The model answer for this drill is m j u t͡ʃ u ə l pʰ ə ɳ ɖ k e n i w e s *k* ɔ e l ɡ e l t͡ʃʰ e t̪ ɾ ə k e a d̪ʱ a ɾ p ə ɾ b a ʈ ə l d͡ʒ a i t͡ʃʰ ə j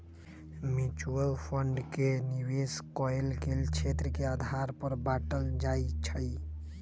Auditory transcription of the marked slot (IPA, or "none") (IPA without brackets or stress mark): k